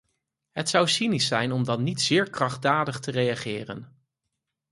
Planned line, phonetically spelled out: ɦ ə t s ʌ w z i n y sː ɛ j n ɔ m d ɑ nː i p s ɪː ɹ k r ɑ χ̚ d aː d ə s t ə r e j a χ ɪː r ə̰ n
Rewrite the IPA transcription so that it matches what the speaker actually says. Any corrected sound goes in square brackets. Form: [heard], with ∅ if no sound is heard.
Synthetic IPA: ɦ ə t s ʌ w [s] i n [i] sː ɛ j n ɔ m d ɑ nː i [t] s ɪː ɹ k r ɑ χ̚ d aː d ə [χ] t ə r e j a χ ɪː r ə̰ n

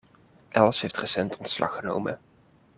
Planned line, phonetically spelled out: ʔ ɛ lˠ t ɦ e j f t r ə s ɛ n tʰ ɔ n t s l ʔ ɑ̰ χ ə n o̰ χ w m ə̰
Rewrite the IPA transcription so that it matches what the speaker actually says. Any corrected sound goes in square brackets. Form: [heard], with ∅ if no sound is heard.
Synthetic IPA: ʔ ɛ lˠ [s] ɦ e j f t r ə s ɛ n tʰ ɔ n t s l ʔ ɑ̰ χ ə n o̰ [∅] w m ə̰

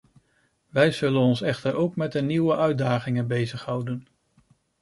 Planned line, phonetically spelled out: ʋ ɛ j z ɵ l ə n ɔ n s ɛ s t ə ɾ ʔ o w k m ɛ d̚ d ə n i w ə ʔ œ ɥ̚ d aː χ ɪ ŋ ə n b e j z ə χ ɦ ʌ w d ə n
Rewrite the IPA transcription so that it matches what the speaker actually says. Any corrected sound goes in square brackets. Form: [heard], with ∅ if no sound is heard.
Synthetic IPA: ʋ ɛ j z ɵ l ə n ɔ n s ɛ [χ] t ə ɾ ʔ o w k m ɛ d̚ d ə n i w ə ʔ œ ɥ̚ d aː χ ɪ ŋ ə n b e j z ə χ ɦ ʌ w d ə n

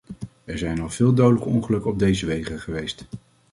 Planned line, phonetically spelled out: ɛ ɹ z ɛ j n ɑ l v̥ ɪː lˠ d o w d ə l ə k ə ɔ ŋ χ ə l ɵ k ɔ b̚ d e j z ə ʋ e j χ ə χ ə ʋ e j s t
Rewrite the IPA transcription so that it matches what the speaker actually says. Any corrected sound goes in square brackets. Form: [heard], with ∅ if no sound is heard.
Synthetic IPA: ɛ ɹ z ɛ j n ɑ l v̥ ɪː lˠ d o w d ə l ə k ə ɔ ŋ χ ə l ɵ k ɔ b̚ d e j z ə ʋ e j χ ə χ ə ʋ e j s t

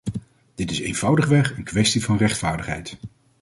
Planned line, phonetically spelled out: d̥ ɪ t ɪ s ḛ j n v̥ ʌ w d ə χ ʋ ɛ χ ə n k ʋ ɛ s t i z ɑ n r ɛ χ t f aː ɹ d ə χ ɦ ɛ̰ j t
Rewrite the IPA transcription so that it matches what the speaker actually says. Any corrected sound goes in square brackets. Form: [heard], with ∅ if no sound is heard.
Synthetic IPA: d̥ ɪ t ɪ s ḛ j n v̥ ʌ w d ə χ ʋ ɛ χ ə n k ʋ ɛ s t i [v] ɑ n r ɛ χ t f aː ɹ d ə χ ɦ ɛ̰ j t

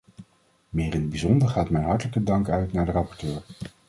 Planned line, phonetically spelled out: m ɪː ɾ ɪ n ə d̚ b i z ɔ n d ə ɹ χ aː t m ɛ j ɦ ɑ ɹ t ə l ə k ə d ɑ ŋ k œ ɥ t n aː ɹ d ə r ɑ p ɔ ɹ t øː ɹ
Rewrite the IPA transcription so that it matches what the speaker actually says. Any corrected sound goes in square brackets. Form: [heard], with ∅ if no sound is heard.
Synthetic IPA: m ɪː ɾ ɪ n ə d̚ b i z ɔ n d ə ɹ χ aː t m ɛ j ɦ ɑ ɹ t ə l ə k ə d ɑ ŋ k œ ɥ t n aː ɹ d ə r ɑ p ɔ ɹ t øː ɹ

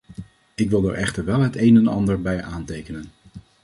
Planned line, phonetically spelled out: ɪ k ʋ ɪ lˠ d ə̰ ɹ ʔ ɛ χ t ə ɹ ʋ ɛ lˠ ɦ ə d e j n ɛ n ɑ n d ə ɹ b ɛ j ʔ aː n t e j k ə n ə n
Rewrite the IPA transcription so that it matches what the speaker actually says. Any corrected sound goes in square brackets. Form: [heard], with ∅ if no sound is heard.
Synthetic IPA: ɪ k ʋ ɪ lˠ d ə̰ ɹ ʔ ɛ χ t ə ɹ ʋ ɛ lˠ ɦ ə [t] e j n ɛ n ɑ n d ə ɹ b ɛ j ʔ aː n t e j k ə n ə n

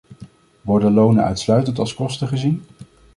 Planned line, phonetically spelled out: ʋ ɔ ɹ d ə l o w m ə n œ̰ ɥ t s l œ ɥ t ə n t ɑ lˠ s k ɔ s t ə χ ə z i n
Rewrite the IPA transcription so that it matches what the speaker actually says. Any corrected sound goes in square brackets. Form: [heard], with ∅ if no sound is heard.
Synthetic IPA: ʋ ɔ ɹ d ə l o w [n] ə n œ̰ ɥ t s l œ ɥ t ə n t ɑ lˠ s k ɔ s t ə χ ə z i n

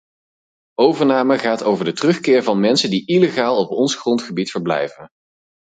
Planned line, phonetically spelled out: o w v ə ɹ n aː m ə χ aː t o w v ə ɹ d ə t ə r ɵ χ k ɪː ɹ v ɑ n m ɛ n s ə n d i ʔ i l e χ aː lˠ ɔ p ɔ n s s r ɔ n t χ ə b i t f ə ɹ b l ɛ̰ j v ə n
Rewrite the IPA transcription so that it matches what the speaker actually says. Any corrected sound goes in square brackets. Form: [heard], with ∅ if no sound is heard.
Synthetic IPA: o w v ə ɹ n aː m ə χ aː t o w v ə ɹ d ə t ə r ɵ χ k ɪː ɹ v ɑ n m ɛ n s ə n d i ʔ i l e χ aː lˠ ɔ p ɔ n s [χ] r ɔ n t χ ə b i t f ə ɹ b l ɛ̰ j v ə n

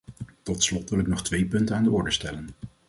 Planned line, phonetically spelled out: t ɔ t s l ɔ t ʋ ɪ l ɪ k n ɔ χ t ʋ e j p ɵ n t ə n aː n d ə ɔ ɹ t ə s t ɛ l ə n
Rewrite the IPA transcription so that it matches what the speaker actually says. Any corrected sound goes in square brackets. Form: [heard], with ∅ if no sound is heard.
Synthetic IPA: t ɔ t s l ɔ t ʋ ɪ l ɪ k n ɔ χ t ʋ e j p ɵ n t ə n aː n d ə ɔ ɹ [d] ə s t ɛ l ə n

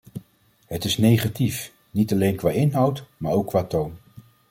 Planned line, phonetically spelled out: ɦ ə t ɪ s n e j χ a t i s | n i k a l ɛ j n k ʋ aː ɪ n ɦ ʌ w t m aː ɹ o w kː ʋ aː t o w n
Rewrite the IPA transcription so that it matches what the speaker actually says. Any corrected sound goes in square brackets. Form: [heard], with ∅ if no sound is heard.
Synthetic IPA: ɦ ə t ɪ s n e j χ a t i [f] | n i [t] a l [e] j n k ʋ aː ɪ n ɦ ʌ w t m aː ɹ o w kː ʋ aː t o w n

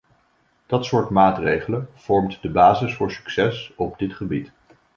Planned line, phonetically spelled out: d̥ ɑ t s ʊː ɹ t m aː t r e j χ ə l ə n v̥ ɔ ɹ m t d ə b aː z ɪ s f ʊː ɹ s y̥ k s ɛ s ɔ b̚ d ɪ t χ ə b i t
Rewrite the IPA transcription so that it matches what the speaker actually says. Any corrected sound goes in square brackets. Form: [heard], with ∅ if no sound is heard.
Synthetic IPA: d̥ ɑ t s ʊː ɹ t m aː t r e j χ ə l ə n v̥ ɔ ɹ m t d ə b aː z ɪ s f ʊː ɹ s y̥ k s ɛ s ɔ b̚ d ɪ t χ ə b i t

